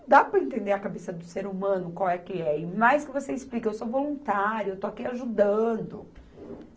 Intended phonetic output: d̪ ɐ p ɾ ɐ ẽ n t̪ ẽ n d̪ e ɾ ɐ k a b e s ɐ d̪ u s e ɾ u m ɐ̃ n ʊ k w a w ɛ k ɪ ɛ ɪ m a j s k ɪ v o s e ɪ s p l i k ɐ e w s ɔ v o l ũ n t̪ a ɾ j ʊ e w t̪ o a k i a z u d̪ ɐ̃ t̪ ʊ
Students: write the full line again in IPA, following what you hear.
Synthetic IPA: d̪ a p ɾ ɐ ẽ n t̪ ẽ n d̪ e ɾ ɐ k a b e s ɐ d̪ ʊ s e ɾ u m ɐ̃ n ʊ k w a w ɛ k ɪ ɛ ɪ m a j s k ɪ v o s e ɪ s p l i k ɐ e w s o v o l ũ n t̪ a ɾ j ʊ e w t̪ o a k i a ʒ u d̪ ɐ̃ d̪ ʊ